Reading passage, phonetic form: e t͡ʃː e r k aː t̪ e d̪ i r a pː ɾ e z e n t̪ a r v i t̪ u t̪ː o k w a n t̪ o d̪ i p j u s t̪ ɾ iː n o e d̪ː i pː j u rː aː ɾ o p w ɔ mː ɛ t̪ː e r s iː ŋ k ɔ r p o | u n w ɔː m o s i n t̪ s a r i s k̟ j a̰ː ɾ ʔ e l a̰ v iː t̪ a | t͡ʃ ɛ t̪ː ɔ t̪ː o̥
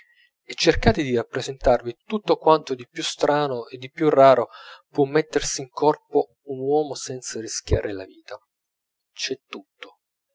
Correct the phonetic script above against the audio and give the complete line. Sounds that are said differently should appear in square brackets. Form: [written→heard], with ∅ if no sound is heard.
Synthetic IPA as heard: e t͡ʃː e r k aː t̪ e d̪ i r a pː ɾ e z e n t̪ a r v i t̪ u t̪ː o k w a n t̪ o d̪ i p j u s t̪ ɾ [iː→aː] n o e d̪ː i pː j u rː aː ɾ o p w ɔ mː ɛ t̪ː e r s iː ŋ k ɔ r p o | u n w ɔː m o s [i→ɛ] n t̪ s a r i s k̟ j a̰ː ɾ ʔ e l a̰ v iː t̪ a | t͡ʃ ɛ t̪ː [ɔ→u] t̪ː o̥